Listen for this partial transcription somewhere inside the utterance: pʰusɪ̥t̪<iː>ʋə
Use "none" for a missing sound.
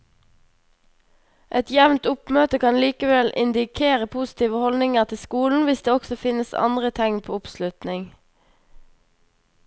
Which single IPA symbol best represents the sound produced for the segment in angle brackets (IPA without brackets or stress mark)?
iː